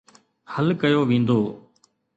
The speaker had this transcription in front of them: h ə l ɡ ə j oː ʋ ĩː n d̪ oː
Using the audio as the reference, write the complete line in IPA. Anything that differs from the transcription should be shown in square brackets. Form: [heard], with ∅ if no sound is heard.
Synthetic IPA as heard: h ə l [k] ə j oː ʋ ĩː n d̪ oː